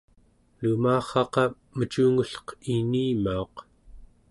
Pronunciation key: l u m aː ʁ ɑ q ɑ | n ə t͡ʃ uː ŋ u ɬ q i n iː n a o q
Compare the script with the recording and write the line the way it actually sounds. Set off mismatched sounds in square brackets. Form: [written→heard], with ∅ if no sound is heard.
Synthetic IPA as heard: l u m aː [ʁ→χ] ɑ q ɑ | [n→m] ə t͡ʃ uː ŋ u ɬ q i n iː [n→m] a o q

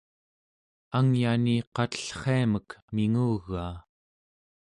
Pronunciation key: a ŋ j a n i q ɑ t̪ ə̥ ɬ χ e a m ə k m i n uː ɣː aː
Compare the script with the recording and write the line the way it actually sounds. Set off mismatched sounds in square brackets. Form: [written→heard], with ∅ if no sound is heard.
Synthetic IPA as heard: a ŋ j a n i q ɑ t̪ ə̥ ɬ χ e a m ə k m i [n→ŋ] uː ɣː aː

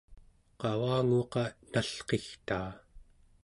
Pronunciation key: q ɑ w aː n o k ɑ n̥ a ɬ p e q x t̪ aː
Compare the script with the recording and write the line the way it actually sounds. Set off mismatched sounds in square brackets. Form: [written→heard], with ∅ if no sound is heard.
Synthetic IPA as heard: q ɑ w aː [n→ŋ] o [k→q] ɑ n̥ a ɬ [p→q] e [q→∅] x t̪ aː

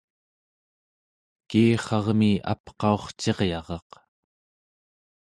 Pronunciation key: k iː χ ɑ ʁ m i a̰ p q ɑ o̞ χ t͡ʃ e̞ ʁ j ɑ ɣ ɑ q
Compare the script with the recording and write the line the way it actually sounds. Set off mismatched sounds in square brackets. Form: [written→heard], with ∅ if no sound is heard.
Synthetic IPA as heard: k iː χ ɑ ʁ m i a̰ p q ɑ o̞ χ t͡ʃ e̞ ʁ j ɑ [ɣ→ʁ] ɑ q

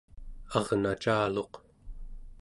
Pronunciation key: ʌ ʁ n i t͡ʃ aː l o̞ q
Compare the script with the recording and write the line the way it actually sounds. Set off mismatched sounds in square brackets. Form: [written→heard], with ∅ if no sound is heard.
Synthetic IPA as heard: [ʌ→ɑ] ʁ n [i→a] t͡ʃ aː l o̞ q

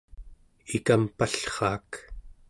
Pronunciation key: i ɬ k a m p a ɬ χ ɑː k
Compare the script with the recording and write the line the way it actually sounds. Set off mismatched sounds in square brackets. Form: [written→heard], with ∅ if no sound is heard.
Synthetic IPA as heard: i [ɬ→∅] k a m p a ɬ χ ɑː k

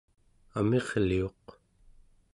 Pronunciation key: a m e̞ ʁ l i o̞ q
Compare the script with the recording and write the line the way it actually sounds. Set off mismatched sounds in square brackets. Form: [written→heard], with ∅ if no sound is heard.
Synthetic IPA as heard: a m e̞ ʁ l i o̞ q

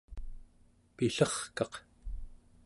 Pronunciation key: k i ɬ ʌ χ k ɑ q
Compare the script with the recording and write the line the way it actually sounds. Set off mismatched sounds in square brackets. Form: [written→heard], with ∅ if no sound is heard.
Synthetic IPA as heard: [k→p] i ɬ ʌ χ k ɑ q

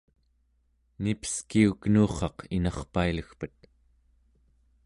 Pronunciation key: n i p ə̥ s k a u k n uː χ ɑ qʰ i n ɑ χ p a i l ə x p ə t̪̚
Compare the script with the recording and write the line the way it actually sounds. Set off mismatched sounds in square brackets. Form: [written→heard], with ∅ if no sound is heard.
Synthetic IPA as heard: n i p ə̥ s k [a→i] u k n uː χ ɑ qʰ i n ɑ χ p a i l ə x p ə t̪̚

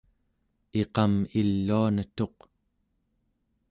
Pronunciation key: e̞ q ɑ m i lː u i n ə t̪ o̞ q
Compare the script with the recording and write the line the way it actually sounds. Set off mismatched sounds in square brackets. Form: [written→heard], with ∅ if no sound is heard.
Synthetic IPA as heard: e̞ q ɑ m i lː u [i→a] n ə t̪ o̞ q

